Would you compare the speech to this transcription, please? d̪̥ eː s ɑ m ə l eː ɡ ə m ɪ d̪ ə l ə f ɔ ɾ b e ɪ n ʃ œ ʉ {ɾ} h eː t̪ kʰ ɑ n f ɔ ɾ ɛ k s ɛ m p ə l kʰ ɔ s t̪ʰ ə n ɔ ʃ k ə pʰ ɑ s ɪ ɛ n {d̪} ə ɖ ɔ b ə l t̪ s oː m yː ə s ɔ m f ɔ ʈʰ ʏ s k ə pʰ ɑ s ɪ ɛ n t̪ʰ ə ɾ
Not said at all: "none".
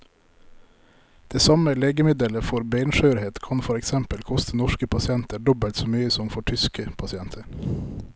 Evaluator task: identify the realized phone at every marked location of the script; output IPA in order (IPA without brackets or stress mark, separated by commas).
ɾ, t̪